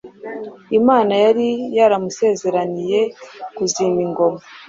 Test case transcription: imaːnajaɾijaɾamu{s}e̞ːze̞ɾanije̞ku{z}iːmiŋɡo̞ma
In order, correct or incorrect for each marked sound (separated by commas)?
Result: correct, correct